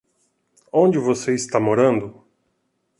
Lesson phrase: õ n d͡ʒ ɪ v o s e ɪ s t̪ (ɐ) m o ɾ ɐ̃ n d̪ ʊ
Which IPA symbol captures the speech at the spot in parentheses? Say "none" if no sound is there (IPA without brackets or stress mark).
a